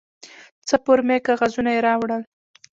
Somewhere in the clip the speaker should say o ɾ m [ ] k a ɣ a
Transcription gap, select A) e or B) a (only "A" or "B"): A